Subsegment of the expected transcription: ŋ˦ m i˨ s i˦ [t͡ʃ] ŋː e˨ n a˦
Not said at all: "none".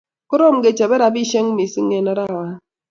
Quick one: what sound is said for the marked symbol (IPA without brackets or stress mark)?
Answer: none